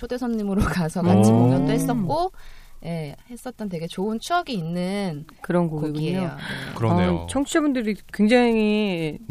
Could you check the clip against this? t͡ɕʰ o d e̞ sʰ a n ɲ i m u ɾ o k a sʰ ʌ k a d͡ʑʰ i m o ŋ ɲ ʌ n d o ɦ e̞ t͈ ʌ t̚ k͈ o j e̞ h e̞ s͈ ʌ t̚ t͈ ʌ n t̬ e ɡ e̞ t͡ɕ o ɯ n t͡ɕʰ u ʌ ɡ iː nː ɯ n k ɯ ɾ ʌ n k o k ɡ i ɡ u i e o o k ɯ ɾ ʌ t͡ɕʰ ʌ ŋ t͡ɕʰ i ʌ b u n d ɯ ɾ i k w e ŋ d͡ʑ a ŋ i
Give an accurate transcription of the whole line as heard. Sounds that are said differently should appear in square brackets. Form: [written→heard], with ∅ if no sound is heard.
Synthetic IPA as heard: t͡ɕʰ o d e̞ sʰ [a→ʌ] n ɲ i m [u→ɯ] ɾ o k a sʰ ʌ k a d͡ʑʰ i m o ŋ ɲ ʌ n d o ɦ e̞ [t͈→s͈] ʌ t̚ k͈ o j e̞ h e̞ s͈ ʌ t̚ t͈ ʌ n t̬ e ɡ e̞ t͡ɕ o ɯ n t͡ɕʰ u ʌ ɡ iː nː ɯ n k ɯ ɾ ʌ n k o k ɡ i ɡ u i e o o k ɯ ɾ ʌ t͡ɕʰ ʌ ŋ t͡ɕʰ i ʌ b u n d ɯ ɾ i k w e ŋ d͡ʑ a ŋ i